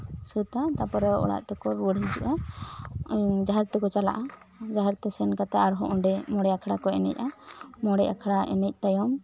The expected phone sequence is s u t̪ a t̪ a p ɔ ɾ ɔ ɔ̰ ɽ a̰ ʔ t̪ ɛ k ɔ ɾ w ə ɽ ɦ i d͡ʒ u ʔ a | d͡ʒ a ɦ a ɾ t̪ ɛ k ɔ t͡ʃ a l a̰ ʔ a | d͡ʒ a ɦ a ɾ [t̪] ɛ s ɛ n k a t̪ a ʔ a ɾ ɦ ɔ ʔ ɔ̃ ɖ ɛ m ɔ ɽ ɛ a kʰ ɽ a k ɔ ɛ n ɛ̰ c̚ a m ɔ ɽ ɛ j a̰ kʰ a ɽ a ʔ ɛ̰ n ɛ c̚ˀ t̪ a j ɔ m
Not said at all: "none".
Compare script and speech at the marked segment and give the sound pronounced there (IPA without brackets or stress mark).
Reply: t̪